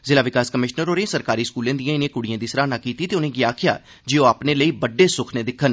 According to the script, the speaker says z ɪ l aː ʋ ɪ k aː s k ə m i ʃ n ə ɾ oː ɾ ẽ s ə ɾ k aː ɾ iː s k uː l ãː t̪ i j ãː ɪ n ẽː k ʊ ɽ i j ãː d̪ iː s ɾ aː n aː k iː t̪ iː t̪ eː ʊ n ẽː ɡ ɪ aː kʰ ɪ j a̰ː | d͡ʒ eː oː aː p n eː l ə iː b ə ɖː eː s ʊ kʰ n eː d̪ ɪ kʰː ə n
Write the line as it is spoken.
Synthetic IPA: z ɪ l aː ʋ ɪ k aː s k ə m ɪ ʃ n ə ɾ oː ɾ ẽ s ə ɾ k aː ɾ iː s k uː l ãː d̪ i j ãː ɪ n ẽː k ʊ ɽ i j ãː d̪ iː s ɾ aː n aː k iː t̪ iː t̪ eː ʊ n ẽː ɡ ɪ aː kʰ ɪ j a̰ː | d͡ʒ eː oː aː p n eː l ə iː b ə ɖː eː s ʊ kʰ n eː d̪ ɪ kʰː ə n